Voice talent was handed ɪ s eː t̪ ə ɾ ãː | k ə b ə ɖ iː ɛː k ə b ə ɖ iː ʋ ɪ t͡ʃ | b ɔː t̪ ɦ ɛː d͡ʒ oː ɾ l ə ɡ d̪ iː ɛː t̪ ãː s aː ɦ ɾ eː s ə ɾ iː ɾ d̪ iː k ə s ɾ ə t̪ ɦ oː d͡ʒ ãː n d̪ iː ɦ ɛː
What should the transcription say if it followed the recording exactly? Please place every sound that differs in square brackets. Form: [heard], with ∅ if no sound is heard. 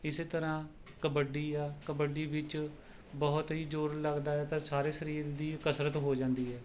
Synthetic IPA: ɪ s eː t̪ ə ɾ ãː | k ə b ə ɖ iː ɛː k ə b ə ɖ iː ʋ ɪ t͡ʃ | b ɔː t̪ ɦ [iː] d͡ʒ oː ɾ l ə ɡ d̪ [aː] ɛː t̪ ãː s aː [∅] ɾ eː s ə ɾ iː ɾ d̪ iː k ə s ɾ ə t̪ ɦ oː d͡ʒ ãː n d̪ iː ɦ ɛː